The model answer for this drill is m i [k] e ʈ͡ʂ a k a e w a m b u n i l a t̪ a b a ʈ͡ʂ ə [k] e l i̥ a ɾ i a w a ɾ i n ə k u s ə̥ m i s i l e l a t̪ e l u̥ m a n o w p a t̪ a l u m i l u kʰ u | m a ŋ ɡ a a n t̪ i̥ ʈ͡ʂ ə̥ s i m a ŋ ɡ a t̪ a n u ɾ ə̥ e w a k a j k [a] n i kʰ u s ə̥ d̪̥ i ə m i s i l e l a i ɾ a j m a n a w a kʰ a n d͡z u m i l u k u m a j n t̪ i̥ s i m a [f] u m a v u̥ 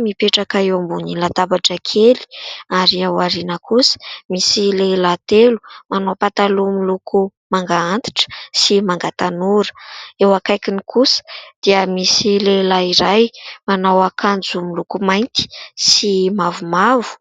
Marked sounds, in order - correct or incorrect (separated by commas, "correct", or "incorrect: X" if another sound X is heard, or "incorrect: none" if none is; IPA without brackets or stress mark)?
incorrect: p, incorrect: kʰ, incorrect: i, incorrect: v